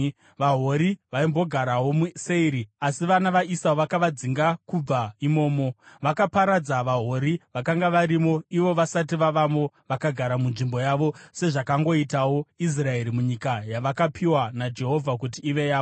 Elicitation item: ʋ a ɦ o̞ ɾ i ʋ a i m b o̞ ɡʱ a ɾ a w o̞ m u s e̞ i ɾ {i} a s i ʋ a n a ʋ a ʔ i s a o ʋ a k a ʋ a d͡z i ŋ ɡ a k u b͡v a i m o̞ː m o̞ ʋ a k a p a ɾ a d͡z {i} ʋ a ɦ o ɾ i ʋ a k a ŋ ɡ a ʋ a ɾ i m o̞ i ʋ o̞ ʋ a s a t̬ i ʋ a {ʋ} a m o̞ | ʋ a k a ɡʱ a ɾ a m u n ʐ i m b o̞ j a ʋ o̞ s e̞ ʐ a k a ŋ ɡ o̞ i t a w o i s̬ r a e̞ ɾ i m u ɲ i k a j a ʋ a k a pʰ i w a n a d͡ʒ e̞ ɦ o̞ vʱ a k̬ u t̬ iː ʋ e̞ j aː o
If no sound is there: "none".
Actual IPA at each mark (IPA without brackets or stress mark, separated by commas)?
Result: i, a, ʋ